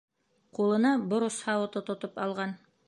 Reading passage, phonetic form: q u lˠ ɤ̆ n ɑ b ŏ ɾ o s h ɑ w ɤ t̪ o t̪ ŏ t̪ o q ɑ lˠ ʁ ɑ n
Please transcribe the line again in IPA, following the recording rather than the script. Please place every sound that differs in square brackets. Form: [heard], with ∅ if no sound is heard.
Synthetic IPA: q u lˠ ɤ̆ n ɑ b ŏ ɾ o s h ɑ w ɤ t̪ o t̪ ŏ t̪ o [p] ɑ lˠ ʁ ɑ n